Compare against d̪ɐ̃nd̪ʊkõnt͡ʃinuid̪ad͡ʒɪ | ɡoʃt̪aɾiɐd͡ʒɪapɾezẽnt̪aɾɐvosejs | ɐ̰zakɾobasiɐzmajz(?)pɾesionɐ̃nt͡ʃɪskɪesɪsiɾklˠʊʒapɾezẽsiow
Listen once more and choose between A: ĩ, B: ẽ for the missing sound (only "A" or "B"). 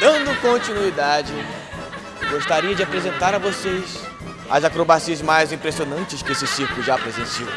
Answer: A